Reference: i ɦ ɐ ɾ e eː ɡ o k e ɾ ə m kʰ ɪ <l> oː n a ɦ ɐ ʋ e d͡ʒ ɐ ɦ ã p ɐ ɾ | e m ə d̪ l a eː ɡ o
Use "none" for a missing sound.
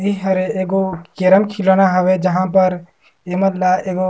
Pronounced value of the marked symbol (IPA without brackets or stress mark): l